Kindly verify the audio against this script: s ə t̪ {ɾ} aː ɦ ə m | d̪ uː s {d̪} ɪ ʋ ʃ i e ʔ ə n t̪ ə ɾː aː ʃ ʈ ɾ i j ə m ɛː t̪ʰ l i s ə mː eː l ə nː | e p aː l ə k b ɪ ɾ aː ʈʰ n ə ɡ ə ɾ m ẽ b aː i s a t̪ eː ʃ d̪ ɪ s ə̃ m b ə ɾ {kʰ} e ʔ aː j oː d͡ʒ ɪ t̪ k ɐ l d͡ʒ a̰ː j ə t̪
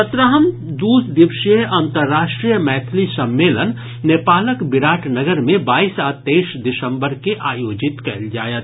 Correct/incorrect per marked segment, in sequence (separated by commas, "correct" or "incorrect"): correct, correct, incorrect